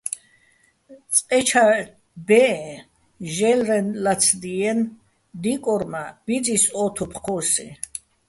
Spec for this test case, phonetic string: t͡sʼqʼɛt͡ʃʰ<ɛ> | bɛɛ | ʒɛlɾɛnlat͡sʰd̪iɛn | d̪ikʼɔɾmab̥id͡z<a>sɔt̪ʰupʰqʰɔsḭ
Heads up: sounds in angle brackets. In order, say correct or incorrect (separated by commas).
incorrect, incorrect